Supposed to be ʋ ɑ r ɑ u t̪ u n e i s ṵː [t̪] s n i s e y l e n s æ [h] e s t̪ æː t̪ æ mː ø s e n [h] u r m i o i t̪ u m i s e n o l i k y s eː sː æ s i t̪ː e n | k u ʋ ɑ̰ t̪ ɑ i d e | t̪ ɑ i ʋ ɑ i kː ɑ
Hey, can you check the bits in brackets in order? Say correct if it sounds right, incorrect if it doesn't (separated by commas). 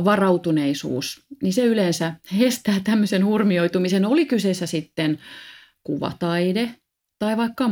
incorrect, correct, correct